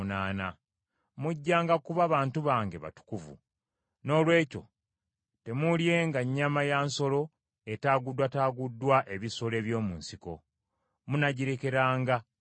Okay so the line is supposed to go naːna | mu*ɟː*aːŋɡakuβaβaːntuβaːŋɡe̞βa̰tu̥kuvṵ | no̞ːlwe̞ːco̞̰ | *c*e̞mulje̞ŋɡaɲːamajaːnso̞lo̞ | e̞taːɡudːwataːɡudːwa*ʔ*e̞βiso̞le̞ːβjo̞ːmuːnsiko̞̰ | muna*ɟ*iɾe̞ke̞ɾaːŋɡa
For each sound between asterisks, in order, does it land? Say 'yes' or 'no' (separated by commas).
yes, no, yes, yes